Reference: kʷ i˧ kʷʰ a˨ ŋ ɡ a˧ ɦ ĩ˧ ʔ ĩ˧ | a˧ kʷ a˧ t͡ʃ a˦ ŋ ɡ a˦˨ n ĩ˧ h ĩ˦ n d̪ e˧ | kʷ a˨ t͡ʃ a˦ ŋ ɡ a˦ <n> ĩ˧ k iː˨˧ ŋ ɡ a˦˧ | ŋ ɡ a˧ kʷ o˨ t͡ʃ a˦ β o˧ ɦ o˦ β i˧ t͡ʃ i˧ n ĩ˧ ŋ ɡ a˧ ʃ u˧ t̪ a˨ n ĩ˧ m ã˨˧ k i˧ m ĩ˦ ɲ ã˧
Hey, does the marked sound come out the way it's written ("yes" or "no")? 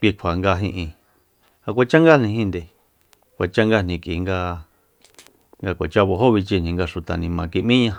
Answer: yes